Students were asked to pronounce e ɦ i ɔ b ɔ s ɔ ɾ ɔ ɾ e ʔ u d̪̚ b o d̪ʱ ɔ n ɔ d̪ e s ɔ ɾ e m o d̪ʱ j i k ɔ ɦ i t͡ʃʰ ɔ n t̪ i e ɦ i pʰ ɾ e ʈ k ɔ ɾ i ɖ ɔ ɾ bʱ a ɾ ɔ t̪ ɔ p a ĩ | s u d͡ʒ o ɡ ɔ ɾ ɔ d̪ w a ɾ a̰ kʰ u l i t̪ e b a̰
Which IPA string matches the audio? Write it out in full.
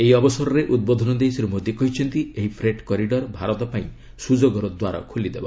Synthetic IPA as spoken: e ɦ i ɔ b ɔ s ɔ ɾ ɔ ɾ e ʔ u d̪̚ b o d̪ʱ ɔ n ɔ d̪ e s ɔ ɾ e m o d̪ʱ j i k ɔ ɦ i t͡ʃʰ ɔ n t̪ i e ɦ i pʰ ɾ e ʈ k ɔ ɾ i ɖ ɔ ɾ bʱ a ɾ ɔ t̪ ɔ p a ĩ | s u d͡ʒ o ɡ ɔ ɾ ɔ d̪ w a ɾ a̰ kʰ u l i d̪ e b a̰